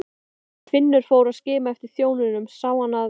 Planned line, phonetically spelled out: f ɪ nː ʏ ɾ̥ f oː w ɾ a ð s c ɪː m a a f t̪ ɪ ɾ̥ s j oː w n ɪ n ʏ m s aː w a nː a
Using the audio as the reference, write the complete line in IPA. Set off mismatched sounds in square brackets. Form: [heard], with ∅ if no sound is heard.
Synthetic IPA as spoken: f ɪ nː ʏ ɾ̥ f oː w ɾ a ð s c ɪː m a [ɛ] f t̪ ɪ ɾ̥ [θ] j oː w n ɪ n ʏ m s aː w a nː a